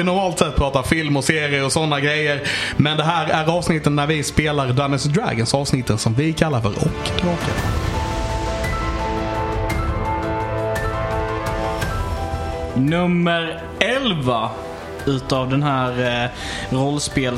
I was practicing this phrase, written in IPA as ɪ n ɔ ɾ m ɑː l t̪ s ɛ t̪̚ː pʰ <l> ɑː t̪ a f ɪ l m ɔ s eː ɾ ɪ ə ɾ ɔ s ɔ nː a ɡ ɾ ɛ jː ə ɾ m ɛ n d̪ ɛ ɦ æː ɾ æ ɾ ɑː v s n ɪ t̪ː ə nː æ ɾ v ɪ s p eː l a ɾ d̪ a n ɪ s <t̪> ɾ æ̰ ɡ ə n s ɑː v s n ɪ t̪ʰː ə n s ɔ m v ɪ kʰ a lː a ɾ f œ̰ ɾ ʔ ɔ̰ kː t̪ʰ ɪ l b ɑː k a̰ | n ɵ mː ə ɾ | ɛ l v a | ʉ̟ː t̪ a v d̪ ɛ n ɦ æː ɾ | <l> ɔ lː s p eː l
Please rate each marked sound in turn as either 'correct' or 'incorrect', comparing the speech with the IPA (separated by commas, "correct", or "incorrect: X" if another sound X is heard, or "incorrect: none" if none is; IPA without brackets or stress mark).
incorrect: ɾ, incorrect: d̪, incorrect: ɾ